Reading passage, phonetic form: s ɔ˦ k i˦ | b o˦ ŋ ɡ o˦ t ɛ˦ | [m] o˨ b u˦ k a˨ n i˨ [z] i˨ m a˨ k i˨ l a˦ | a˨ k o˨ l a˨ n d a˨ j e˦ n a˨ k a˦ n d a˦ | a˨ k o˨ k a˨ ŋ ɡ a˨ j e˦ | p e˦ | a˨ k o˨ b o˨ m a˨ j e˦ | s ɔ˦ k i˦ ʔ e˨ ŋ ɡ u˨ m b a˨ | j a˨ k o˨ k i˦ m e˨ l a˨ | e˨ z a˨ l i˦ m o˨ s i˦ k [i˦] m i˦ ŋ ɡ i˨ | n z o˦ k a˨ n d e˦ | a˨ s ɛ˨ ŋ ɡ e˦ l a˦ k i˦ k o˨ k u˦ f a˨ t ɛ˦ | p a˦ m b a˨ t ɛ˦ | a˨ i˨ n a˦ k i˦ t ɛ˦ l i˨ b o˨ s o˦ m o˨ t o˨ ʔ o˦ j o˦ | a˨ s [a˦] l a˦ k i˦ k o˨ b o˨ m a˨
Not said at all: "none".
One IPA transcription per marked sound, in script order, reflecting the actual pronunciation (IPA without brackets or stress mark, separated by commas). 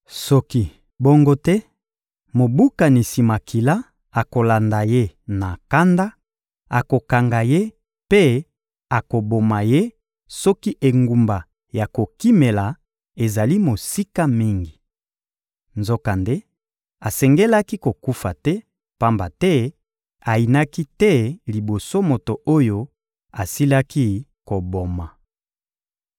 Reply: m, s, a˦, i˦